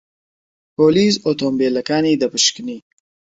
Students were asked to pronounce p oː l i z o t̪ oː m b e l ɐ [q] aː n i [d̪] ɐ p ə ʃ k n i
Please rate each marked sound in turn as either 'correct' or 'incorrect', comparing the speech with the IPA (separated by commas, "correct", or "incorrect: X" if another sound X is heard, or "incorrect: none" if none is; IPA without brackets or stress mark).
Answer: incorrect: k, correct